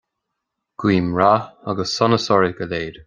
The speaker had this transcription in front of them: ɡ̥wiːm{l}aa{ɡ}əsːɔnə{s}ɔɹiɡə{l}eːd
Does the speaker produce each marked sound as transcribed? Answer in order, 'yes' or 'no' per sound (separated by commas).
no, yes, yes, yes